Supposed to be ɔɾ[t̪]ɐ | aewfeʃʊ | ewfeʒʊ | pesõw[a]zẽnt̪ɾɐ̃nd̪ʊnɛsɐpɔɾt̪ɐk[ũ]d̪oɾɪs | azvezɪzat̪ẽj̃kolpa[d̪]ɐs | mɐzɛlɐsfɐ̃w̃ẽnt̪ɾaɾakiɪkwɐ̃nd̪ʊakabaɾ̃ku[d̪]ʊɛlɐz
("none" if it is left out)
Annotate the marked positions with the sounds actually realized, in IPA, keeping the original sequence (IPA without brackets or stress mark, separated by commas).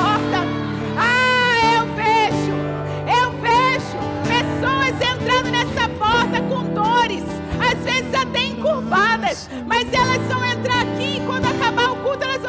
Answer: t̪, ɐ, õ, d̪, t̪